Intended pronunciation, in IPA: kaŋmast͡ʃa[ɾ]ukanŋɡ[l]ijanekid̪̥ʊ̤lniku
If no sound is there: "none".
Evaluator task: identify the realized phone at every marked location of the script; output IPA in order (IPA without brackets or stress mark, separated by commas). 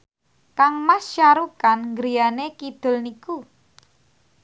ɾ, ɾ